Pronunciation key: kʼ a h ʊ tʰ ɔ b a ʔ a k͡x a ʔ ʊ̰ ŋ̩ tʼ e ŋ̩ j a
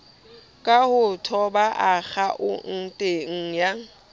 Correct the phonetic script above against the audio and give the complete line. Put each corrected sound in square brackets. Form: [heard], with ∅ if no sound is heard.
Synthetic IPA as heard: kʼ a h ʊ tʰ ɔ b a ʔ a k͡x a ʔ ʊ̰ [n̩] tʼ e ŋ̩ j a